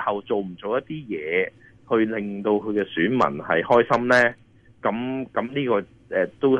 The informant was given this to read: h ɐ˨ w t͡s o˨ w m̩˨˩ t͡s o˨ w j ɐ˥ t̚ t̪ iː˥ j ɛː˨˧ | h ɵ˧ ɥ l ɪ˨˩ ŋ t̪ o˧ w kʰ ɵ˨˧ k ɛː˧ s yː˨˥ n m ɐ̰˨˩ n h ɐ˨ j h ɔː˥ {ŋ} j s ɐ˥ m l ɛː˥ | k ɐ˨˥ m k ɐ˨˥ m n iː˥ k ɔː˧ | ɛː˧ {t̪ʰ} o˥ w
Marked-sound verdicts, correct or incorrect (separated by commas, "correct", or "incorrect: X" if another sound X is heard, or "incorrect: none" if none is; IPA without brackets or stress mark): incorrect: none, incorrect: t̪